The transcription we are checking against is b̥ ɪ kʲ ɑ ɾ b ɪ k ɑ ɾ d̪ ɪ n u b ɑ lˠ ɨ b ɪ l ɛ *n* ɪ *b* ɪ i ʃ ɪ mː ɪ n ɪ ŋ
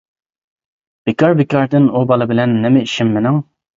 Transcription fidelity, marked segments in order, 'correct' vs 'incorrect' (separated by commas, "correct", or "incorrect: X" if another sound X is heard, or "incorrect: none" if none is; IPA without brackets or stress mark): incorrect: nː, incorrect: m